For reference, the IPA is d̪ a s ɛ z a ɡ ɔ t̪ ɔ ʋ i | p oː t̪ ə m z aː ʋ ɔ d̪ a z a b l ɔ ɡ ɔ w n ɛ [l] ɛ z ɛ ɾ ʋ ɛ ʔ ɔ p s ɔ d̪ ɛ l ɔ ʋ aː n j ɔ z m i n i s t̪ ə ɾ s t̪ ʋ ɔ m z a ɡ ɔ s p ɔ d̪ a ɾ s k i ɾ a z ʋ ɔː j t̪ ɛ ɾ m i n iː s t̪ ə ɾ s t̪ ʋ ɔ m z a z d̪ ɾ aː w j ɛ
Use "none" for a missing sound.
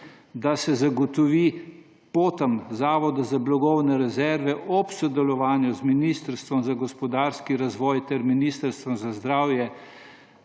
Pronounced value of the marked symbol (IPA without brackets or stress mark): ɾ